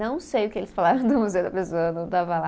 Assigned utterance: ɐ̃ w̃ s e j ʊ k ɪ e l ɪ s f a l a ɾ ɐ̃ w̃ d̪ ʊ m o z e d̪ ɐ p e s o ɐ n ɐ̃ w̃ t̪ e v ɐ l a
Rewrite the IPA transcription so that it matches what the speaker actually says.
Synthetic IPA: ɐ̃ w̃ s e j ʊ k ɪ e l ɪ s f a l a ɾ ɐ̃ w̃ d̪ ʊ m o z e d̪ ɐ p e s o ɐ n ɐ̃ w̃ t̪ a v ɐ l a